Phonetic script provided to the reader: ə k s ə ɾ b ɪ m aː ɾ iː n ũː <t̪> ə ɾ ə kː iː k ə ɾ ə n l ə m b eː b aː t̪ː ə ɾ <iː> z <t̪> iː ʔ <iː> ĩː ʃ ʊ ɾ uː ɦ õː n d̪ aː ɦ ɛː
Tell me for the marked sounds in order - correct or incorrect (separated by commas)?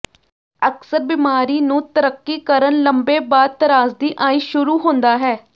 correct, incorrect, incorrect, incorrect